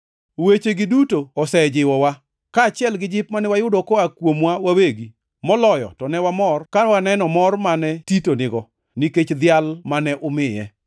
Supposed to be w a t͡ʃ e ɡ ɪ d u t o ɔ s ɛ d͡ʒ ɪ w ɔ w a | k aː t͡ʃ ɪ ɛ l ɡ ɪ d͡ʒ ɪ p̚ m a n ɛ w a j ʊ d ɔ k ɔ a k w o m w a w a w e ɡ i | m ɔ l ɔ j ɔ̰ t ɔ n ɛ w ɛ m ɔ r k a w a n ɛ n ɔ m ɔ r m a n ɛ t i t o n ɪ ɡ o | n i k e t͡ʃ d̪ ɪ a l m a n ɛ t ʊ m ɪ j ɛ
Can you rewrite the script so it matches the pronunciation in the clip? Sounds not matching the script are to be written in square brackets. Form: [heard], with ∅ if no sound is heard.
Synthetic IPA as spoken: w [e] t͡ʃ e ɡ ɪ d u t o ɔ s ɛ d͡ʒ ɪ w ɔ w a | k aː t͡ʃ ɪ ɛ l ɡ ɪ d͡ʒ ɪ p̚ m a n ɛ w a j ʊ d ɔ k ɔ a k w o m w a w a w e ɡ i | m ɔ l ɔ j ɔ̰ t ɔ n ɛ w [a] m ɔ r k a w a n ɛ n ɔ m ɔ r m a n ɛ t i t o n ɪ ɡ [ɔ] | n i k e t͡ʃ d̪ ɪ a l m a n ɛ [ʔ] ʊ m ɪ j ɛ